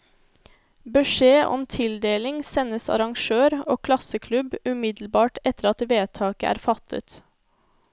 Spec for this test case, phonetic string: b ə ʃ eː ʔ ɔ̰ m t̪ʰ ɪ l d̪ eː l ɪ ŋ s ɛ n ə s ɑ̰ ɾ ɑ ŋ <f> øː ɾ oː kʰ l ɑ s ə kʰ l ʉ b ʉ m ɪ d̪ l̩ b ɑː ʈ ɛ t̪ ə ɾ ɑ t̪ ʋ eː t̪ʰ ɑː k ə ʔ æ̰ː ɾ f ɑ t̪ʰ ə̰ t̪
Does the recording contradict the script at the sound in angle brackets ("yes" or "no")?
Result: yes